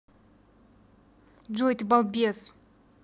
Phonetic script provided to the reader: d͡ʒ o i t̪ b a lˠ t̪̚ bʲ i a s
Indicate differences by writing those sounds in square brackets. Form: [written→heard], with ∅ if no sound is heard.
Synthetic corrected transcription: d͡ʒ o [i→j] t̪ b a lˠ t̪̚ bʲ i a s